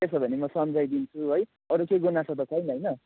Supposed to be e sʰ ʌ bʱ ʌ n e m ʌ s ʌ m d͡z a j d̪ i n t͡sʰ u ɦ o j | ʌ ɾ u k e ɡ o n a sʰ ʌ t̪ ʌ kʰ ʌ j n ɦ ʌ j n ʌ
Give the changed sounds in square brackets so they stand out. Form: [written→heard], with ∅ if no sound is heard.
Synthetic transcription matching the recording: e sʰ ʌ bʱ ʌ n e m ʌ s ʌ m d͡z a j d̪ i n t͡sʰ u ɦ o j | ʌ ɾ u k e ɡ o n a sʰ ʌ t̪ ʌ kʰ ʌ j n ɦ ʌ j n ʌ